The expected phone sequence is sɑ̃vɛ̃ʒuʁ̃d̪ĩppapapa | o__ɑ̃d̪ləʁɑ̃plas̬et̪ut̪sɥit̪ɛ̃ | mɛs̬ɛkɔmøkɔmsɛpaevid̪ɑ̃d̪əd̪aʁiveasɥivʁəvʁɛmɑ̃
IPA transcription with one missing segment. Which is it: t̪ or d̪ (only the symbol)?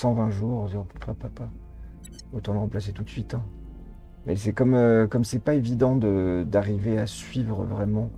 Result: t̪